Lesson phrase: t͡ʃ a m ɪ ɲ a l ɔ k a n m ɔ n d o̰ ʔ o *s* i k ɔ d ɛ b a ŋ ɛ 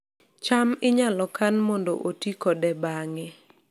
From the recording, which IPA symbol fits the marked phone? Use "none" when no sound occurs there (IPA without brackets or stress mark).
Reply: t